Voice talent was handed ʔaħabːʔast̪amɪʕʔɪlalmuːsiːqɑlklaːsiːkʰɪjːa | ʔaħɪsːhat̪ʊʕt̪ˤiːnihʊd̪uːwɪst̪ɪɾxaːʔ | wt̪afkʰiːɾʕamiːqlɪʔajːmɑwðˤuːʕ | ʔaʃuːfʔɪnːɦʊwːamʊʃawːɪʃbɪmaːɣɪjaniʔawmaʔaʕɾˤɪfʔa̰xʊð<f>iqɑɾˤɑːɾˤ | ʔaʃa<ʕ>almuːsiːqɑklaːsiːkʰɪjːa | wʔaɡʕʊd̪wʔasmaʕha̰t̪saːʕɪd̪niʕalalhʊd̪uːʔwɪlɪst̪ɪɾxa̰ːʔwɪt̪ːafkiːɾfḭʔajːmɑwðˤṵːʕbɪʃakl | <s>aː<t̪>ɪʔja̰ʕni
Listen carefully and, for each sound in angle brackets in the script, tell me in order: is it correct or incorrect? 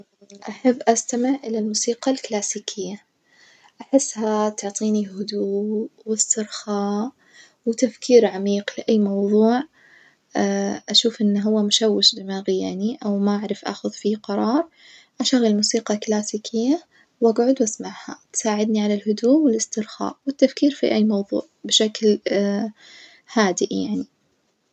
correct, incorrect, incorrect, incorrect

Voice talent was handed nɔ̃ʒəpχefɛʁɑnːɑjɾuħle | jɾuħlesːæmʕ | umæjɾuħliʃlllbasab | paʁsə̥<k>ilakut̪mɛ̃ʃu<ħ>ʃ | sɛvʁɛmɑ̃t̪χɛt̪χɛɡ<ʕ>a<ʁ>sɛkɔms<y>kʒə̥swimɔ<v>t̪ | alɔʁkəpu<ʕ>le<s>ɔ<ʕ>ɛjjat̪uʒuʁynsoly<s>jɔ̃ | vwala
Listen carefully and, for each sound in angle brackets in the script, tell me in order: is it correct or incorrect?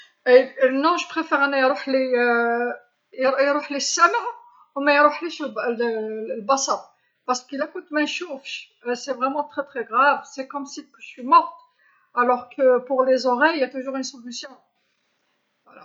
correct, incorrect, incorrect, incorrect, incorrect, incorrect, incorrect, incorrect, incorrect, correct

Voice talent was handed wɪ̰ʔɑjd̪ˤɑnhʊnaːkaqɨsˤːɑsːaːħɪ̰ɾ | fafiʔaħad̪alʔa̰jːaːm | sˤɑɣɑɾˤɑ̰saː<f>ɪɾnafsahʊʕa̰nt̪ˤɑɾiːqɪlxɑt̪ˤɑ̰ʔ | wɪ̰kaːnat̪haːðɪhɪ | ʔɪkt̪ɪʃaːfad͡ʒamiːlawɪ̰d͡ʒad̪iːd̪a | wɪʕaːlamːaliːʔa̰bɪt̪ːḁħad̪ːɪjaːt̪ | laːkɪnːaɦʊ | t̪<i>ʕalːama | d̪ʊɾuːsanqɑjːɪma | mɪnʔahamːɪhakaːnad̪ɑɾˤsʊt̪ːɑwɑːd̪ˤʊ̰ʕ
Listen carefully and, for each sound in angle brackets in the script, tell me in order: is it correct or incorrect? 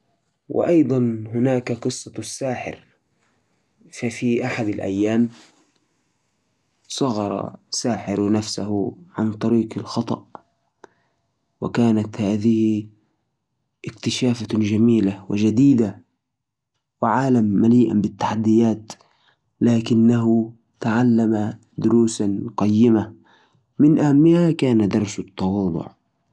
incorrect, incorrect

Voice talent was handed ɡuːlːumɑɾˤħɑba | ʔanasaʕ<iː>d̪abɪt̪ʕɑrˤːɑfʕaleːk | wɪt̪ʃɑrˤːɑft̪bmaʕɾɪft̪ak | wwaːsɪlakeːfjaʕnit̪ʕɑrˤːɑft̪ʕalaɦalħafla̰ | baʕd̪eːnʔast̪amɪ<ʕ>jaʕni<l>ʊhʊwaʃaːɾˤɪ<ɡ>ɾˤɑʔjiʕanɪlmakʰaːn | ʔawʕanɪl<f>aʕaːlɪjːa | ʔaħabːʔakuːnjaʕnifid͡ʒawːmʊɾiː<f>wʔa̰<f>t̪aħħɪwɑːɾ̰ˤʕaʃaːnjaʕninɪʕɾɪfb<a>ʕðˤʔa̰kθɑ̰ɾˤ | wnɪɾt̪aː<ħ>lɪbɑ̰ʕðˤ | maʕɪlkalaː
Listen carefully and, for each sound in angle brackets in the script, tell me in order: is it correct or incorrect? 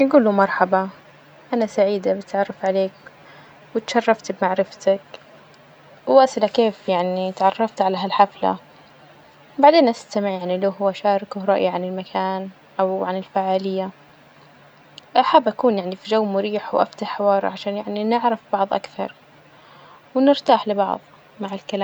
correct, correct, correct, incorrect, correct, incorrect, correct, incorrect, correct

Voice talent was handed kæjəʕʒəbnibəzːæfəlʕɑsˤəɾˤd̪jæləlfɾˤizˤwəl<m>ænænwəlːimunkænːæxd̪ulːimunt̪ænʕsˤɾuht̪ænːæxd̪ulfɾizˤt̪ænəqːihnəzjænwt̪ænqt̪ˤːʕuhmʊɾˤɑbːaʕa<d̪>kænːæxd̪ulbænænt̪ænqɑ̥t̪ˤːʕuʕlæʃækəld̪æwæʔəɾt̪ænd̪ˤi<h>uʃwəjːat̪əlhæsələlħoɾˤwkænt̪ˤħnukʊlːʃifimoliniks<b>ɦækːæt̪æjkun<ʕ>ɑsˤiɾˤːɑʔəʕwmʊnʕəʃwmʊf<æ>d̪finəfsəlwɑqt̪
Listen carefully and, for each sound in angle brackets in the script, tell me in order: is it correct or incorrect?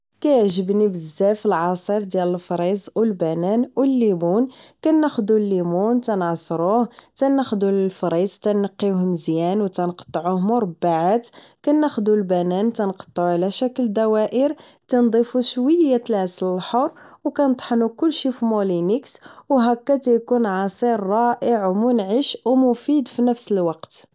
incorrect, incorrect, incorrect, incorrect, correct, incorrect

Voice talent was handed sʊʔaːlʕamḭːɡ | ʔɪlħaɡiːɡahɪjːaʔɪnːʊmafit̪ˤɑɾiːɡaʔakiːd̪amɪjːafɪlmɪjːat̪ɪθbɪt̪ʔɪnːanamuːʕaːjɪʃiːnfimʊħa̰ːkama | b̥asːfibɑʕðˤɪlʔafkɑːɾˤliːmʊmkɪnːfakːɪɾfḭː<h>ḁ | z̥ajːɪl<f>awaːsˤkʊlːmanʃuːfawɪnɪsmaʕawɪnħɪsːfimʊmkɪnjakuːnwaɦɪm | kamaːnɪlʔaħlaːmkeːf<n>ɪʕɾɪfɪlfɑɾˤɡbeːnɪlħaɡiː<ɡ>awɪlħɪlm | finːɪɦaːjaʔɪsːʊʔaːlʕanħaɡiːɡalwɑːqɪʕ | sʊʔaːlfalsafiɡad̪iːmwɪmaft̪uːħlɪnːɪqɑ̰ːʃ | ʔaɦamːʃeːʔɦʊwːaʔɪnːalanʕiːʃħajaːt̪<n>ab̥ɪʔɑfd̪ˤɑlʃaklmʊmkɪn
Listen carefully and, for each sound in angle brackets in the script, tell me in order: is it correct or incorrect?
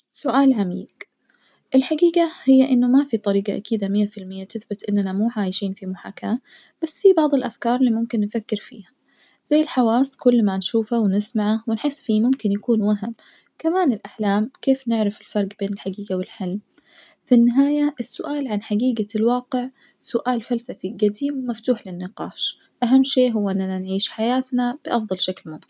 correct, incorrect, correct, correct, correct

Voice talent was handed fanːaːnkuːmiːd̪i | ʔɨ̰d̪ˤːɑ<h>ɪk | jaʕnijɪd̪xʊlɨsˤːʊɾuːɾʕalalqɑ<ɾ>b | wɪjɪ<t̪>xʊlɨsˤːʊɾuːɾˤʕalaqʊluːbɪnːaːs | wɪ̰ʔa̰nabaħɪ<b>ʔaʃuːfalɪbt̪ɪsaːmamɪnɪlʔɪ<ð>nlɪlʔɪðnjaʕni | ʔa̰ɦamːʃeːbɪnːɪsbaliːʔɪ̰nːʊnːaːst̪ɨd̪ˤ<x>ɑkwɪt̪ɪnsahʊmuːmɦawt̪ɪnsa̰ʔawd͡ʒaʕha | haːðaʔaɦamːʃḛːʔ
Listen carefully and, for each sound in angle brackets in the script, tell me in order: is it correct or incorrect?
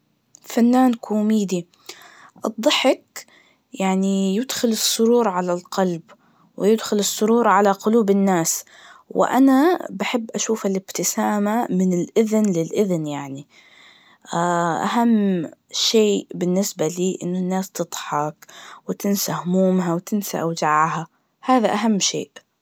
incorrect, incorrect, incorrect, incorrect, correct, incorrect

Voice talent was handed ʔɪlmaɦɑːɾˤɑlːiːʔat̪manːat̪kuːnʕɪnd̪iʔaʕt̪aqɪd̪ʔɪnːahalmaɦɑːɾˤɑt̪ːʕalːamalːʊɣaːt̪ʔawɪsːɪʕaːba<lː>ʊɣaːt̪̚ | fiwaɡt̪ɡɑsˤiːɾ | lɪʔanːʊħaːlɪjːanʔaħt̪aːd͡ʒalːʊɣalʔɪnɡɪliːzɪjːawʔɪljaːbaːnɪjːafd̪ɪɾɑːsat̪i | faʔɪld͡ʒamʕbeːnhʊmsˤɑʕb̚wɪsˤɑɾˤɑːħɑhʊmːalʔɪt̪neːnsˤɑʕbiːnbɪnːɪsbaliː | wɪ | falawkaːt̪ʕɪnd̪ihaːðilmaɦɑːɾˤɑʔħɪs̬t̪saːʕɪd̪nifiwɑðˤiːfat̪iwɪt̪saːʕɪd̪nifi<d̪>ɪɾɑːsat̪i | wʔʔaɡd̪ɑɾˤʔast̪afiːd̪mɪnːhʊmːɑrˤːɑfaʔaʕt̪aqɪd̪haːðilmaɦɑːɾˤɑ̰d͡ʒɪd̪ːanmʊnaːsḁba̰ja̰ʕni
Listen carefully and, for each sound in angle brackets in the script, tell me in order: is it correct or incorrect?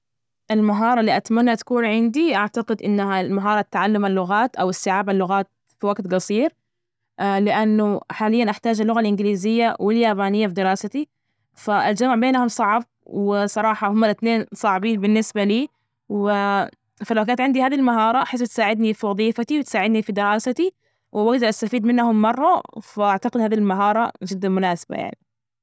correct, correct

